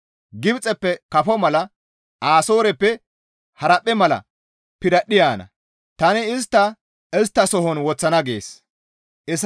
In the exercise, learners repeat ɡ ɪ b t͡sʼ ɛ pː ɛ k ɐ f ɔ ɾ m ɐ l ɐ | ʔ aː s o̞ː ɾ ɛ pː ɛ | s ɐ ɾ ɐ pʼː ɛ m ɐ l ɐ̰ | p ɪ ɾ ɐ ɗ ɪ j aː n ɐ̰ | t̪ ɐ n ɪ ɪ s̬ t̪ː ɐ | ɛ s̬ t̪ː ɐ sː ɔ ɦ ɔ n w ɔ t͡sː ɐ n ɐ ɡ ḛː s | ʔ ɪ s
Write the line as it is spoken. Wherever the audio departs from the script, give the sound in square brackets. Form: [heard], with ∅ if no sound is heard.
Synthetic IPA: ɡ ɪ b t͡sʼ ɛ pː ɛ k ɐ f ɔ [∅] m ɐ l ɐ | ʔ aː s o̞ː ɾ ɛ pː ɛ | [h] ɐ ɾ ɐ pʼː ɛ m ɐ l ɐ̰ | p ɪ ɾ ɐ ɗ ɪ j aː n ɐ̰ | t̪ ɐ n ɪ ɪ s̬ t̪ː ɐ | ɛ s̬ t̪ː ɐ [s] ɔ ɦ ɔ n w ɔ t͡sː ɐ n ɐ ɡ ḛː s | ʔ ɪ s